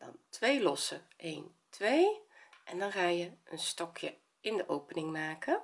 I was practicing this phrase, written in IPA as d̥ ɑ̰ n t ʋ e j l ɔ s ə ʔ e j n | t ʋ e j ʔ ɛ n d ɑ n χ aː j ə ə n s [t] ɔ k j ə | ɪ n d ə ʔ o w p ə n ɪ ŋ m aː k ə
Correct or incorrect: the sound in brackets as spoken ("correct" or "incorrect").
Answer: correct